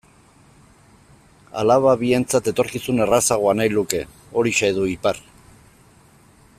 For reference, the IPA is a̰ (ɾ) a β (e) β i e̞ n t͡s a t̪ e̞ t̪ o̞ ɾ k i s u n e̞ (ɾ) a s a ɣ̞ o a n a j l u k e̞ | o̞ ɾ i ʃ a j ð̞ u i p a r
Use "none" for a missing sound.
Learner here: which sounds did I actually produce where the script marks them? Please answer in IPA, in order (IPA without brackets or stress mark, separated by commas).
l, a, r